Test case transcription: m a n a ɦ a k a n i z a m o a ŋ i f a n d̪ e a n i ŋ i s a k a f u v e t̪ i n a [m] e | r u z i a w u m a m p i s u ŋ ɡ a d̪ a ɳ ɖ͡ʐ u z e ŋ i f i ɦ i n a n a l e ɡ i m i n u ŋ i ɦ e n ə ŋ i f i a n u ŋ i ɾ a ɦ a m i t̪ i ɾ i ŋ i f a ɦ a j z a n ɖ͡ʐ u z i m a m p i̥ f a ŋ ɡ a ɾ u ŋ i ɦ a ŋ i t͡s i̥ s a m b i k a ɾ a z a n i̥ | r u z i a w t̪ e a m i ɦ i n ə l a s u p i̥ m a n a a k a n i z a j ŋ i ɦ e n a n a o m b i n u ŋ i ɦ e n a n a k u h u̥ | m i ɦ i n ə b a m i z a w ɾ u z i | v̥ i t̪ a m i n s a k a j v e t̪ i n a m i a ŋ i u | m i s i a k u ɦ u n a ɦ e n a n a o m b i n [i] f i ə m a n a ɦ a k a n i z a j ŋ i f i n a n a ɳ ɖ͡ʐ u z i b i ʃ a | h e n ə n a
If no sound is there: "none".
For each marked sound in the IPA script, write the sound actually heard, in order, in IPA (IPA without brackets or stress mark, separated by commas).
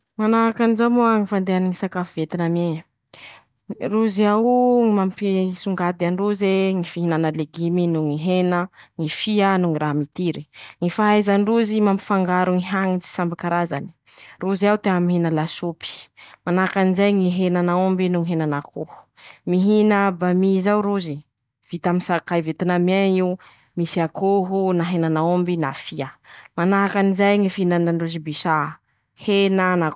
m, a